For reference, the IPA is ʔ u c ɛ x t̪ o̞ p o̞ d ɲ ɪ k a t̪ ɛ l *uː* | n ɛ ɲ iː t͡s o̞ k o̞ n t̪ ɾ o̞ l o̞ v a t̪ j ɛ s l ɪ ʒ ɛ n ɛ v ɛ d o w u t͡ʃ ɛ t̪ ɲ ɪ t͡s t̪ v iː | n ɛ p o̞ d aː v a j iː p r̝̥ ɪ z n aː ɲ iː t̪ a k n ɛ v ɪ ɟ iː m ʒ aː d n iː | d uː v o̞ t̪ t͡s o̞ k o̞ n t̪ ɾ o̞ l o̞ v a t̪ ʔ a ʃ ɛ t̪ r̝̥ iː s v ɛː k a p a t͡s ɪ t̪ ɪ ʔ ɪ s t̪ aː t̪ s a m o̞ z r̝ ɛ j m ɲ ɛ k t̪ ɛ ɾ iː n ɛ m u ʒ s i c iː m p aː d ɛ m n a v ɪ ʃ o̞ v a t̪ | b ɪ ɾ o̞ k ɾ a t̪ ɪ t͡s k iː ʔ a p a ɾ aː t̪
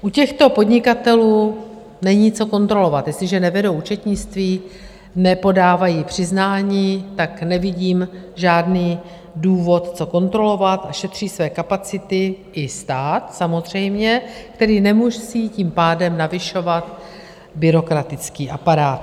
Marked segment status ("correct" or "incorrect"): correct